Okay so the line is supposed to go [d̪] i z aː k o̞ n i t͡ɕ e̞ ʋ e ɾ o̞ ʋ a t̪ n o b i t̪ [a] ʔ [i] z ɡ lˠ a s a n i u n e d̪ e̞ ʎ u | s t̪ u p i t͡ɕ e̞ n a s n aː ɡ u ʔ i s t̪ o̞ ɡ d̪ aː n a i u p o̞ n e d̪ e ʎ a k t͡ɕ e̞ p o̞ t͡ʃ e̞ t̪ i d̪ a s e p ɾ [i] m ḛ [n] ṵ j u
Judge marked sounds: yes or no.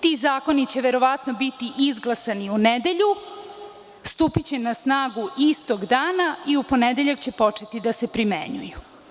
no, no, yes, yes, no

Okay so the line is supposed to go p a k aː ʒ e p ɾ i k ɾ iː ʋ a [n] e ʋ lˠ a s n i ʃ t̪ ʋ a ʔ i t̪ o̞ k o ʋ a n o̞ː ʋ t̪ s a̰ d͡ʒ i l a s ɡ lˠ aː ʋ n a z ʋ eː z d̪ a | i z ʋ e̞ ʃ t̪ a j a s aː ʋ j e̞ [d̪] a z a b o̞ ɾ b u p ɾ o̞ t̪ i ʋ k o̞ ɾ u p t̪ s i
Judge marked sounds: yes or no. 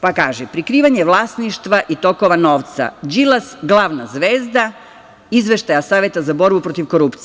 no, no

